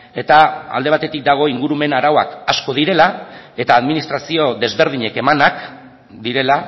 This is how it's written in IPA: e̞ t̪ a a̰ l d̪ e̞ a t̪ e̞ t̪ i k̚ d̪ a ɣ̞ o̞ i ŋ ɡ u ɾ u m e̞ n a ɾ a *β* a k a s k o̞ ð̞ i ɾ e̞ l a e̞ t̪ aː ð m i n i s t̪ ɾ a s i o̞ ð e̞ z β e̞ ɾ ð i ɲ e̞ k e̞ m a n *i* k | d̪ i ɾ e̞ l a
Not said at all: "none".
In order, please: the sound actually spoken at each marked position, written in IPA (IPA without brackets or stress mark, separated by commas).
w, a